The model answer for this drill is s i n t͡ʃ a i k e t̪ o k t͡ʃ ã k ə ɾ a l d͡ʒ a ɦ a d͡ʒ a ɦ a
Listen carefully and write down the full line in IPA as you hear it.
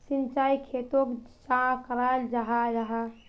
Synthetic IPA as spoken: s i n t͡ʃ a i kʰ e t̪ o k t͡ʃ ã k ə ɾ a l d͡ʒ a ɦ a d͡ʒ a ɦ a